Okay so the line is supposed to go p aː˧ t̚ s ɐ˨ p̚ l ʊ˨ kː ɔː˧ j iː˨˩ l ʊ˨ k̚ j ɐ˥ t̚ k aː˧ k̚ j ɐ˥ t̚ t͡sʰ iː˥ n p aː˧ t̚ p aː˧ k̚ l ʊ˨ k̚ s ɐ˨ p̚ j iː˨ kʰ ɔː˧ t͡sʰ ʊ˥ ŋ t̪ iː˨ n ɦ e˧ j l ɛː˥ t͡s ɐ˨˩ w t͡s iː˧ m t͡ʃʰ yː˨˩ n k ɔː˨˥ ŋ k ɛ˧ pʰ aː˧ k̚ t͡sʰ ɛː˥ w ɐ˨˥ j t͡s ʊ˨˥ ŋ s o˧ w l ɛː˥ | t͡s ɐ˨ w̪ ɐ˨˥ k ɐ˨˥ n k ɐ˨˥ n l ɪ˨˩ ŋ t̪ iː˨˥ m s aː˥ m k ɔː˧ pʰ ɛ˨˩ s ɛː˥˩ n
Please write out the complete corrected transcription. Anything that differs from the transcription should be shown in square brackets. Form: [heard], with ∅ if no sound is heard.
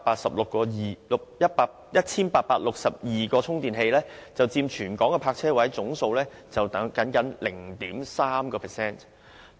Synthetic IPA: p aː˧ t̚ s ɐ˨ p̚ l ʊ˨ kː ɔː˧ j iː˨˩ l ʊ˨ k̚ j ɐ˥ t̚ [p] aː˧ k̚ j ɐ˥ t̚ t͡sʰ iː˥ n p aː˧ t̚ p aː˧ [t̚] l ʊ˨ k̚ s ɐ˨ p̚ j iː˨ [k] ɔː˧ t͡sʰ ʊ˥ ŋ t̪ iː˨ n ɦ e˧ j l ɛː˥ t͡s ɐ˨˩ w t͡s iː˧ m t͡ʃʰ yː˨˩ n k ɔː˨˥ ŋ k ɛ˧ pʰ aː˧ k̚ t͡sʰ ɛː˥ w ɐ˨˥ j t͡s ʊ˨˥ ŋ s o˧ w l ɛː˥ | t͡s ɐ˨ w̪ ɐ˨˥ k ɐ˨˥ n k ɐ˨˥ n l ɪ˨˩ ŋ t̪ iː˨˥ m s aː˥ m k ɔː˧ pʰ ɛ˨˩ s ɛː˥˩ n